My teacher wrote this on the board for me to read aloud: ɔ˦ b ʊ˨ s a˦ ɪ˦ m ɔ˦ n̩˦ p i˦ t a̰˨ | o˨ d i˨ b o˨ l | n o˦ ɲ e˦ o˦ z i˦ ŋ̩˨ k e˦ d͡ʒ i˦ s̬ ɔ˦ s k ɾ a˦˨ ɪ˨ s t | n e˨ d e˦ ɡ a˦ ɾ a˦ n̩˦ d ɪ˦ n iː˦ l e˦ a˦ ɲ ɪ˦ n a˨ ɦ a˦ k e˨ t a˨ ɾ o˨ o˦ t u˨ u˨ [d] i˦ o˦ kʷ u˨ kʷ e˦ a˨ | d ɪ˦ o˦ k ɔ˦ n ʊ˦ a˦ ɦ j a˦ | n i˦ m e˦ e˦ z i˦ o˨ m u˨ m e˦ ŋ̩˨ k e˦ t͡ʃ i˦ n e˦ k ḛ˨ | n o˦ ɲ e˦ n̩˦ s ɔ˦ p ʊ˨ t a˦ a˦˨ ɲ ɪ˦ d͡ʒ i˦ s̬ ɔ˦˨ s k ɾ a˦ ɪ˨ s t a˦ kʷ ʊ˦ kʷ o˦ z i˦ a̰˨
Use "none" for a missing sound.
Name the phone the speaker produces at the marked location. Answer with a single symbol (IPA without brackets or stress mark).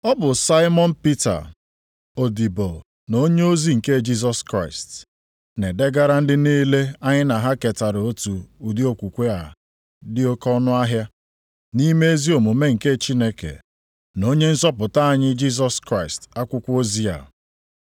d